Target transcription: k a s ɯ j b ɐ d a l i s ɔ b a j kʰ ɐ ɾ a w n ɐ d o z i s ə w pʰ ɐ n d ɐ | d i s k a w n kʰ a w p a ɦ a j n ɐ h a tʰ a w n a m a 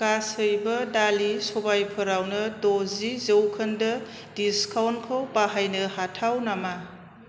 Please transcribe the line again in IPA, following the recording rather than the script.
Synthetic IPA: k a s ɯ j b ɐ d a l i s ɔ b a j pʰ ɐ ɾ a w n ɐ d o z i z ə w kʰ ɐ n d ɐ | d i s k a w n kʰ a w p a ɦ a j n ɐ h a tʰ a w n a m a